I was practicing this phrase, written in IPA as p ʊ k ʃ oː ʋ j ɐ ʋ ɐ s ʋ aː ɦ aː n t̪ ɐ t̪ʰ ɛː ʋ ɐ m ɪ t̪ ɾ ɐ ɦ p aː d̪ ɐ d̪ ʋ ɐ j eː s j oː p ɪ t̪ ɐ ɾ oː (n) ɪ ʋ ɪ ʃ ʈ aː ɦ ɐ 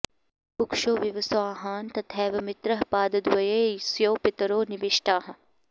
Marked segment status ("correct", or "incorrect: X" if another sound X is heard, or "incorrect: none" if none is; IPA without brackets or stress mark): correct